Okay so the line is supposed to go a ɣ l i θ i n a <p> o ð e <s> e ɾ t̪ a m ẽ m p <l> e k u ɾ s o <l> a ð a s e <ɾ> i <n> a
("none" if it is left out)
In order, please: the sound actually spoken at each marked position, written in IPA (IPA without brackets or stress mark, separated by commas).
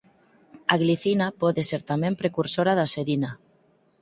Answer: p, s, ɾ, ɾ, ɾ, n